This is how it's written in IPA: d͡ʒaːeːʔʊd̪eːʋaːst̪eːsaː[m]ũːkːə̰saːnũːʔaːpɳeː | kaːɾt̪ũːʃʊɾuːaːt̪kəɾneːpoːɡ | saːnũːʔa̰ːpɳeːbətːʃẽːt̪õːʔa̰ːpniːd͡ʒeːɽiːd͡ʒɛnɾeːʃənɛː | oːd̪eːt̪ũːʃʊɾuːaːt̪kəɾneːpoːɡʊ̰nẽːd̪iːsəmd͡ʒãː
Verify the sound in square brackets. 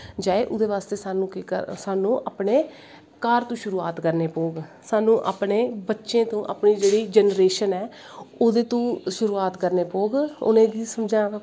incorrect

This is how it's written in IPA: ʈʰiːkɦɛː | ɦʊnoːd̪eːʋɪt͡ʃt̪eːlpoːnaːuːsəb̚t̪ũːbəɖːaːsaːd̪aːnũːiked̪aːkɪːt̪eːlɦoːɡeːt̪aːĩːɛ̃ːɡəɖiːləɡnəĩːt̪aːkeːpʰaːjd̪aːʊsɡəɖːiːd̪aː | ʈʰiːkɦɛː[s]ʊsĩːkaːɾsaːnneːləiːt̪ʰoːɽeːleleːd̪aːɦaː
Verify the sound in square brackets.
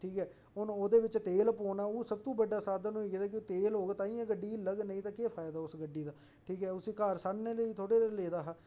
incorrect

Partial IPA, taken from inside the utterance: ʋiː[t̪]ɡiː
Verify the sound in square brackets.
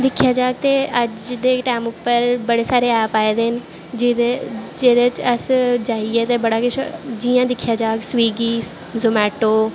incorrect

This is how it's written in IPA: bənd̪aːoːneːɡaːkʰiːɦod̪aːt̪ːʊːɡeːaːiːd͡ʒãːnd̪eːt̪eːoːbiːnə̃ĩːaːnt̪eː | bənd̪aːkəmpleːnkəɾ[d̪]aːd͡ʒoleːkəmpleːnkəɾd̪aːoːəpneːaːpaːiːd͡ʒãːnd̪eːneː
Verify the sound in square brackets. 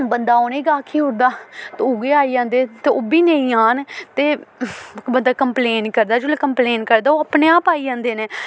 correct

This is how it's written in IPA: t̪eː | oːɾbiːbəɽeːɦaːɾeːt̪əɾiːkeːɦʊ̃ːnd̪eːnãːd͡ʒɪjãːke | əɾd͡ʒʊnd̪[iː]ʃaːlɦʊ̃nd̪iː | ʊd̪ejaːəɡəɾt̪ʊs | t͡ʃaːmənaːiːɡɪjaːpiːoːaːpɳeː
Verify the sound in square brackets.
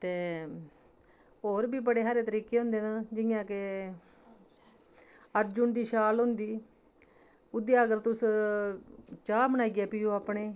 correct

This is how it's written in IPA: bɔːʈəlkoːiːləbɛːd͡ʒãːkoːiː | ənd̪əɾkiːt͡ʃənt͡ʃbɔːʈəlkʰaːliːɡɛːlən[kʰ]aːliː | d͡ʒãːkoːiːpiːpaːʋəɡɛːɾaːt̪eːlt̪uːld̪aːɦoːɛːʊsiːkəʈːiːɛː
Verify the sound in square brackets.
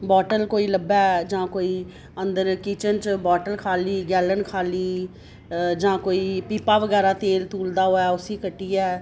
correct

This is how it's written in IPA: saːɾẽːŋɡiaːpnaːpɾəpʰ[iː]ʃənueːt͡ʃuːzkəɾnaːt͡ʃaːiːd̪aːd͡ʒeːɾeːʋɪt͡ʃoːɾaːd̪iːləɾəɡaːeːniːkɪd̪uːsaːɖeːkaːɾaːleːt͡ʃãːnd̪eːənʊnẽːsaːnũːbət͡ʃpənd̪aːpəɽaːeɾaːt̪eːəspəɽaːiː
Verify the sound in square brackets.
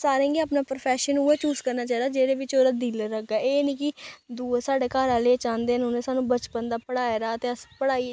incorrect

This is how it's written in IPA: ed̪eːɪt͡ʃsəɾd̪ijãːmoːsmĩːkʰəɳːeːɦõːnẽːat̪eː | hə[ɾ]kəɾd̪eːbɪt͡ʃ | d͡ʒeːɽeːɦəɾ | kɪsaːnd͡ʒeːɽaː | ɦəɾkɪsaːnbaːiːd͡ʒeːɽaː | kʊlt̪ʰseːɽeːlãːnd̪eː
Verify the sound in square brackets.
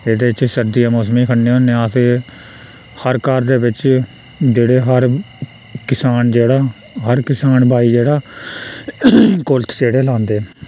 correct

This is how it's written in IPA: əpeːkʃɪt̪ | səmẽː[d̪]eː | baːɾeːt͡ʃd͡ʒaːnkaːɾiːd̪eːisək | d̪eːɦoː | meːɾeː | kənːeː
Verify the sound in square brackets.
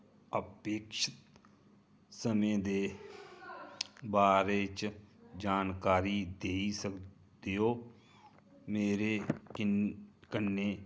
correct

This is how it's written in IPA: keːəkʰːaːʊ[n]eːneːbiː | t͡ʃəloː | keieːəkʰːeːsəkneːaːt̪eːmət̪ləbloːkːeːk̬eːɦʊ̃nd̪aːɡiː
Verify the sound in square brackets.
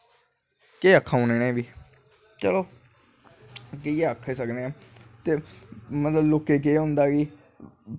correct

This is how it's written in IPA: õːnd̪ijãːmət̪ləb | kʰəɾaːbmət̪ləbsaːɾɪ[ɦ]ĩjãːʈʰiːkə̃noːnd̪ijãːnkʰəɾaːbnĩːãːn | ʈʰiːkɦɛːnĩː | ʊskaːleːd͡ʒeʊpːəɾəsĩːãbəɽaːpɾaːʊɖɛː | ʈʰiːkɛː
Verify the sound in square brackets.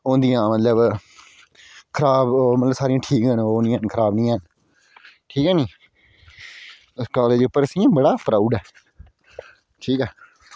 incorrect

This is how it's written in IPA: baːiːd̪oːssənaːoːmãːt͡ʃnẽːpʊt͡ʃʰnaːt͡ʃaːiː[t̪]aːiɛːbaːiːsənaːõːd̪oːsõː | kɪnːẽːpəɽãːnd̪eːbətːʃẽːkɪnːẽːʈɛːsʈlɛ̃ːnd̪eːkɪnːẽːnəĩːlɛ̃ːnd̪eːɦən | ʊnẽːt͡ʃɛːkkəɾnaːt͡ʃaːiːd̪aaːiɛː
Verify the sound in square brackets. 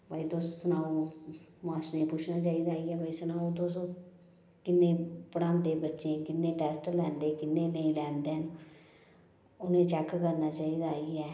incorrect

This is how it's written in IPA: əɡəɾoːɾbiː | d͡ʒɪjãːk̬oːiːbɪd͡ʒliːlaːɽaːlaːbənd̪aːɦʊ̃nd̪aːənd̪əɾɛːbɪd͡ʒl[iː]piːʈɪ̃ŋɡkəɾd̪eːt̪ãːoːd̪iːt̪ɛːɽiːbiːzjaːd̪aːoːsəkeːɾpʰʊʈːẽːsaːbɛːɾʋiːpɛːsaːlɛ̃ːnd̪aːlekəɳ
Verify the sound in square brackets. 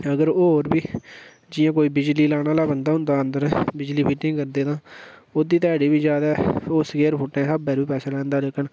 correct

